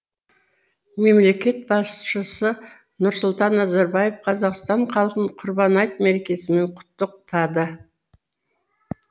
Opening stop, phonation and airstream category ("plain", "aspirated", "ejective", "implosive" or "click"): plain